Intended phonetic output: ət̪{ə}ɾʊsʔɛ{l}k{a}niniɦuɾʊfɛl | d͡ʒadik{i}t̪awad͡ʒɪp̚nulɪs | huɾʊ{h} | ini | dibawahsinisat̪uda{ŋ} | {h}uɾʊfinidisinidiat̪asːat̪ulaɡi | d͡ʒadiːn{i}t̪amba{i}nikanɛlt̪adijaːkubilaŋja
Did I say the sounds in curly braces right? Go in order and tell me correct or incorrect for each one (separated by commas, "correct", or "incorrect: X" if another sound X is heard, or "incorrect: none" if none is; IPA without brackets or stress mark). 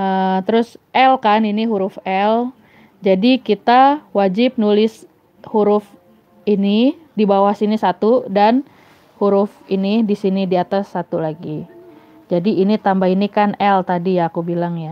correct, correct, correct, correct, incorrect: f, incorrect: n, correct, correct, correct